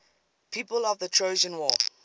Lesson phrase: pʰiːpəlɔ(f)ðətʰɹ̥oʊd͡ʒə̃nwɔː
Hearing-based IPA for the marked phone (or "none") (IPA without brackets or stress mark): v